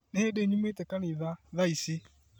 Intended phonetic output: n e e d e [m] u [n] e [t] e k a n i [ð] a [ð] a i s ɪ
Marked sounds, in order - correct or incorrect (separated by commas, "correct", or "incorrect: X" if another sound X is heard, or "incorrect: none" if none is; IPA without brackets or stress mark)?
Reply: incorrect: ɲ, incorrect: m, correct, correct, correct